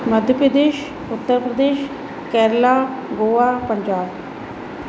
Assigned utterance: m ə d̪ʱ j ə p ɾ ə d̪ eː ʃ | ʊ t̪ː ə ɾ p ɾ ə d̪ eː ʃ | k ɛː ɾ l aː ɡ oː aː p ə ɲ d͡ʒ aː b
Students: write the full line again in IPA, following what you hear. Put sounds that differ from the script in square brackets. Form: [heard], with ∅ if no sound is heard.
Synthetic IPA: m ə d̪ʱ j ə p ɾ ə d̪ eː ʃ | ʊ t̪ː ə ɾ p ɾ ə d̪ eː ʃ | k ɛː ɾ l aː ɡ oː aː p ə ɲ d͡ʒ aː b